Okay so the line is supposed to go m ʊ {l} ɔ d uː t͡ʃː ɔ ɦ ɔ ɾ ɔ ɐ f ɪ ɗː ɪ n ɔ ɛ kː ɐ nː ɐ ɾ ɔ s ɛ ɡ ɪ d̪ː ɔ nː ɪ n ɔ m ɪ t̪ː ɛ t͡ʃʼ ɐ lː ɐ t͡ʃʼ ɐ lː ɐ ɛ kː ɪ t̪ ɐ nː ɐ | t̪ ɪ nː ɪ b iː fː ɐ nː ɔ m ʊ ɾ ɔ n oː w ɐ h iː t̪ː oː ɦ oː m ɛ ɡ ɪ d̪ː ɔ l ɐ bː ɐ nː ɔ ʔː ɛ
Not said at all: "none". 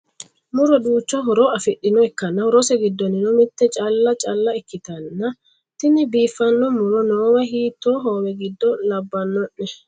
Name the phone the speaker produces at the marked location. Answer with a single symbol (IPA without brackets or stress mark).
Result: ɾ